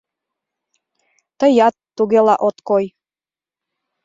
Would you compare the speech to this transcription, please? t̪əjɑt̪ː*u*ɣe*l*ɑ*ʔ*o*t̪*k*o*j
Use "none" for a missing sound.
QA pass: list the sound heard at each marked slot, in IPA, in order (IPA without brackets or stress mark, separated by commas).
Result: u, l, ʔ, t̪, o